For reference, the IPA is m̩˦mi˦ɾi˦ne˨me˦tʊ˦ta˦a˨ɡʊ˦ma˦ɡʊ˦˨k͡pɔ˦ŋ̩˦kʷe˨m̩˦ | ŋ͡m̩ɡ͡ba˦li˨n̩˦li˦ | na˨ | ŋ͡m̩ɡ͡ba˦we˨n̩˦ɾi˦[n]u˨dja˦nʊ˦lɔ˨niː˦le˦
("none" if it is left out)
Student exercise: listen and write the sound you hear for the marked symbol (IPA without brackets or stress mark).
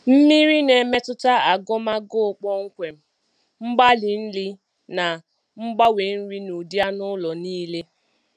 n